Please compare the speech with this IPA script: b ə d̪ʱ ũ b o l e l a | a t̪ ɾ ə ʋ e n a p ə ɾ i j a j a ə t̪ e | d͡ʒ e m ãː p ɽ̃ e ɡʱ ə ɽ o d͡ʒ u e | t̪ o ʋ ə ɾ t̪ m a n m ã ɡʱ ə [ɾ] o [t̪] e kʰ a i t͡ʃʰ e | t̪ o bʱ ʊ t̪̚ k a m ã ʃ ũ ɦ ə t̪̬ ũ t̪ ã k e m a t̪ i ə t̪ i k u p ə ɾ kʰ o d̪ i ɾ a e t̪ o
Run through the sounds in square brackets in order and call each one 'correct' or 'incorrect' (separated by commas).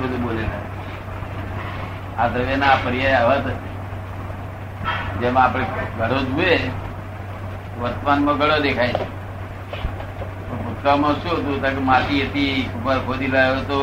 incorrect, incorrect